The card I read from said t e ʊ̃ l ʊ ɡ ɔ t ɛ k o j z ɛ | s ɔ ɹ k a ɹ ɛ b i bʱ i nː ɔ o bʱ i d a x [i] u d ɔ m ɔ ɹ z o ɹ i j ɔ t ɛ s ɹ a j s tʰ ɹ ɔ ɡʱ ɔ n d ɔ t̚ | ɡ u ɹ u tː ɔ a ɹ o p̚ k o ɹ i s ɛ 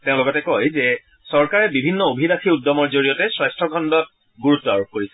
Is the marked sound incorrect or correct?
correct